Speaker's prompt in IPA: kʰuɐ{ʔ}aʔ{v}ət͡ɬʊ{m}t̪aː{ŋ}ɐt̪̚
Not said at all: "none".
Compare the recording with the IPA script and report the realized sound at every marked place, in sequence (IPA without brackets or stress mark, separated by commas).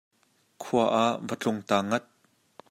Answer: ʔ, v, ŋ, ŋ